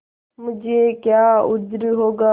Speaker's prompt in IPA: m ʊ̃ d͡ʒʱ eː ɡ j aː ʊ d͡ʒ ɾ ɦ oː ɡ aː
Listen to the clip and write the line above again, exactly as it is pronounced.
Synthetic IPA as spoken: m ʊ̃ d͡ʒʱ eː k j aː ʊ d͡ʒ ɾ ɦ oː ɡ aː